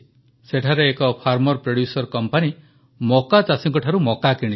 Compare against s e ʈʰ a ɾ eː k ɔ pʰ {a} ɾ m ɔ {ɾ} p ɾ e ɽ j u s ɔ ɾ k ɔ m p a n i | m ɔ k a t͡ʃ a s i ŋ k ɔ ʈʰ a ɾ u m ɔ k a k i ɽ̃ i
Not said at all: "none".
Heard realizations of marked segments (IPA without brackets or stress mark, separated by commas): a, ɾ